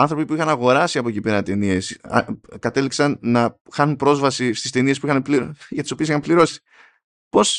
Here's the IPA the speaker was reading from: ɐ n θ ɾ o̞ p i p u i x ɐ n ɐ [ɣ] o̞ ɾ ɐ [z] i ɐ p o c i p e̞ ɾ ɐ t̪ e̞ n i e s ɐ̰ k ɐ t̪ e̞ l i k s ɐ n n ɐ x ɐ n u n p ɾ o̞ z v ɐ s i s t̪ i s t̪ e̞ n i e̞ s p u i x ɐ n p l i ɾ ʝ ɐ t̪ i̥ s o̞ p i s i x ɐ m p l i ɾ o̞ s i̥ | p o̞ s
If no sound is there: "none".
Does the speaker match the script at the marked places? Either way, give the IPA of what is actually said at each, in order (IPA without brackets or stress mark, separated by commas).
ɣ, s